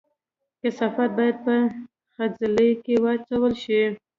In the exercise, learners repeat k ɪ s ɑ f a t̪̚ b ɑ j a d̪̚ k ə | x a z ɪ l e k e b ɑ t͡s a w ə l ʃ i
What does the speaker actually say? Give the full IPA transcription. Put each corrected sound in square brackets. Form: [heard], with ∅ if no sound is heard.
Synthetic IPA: k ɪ s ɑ f a t̪̚ b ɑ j a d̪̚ [p] ə | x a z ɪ l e k e [w] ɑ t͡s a w ə l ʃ i